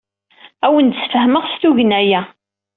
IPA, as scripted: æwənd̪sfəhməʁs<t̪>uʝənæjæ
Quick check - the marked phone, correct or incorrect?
correct